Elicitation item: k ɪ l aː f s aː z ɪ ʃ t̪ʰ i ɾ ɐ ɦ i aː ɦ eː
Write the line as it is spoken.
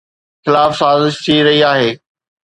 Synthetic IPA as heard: x ɪ l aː f s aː z ɪ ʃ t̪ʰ i ɾ ɐ ɦ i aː ɦ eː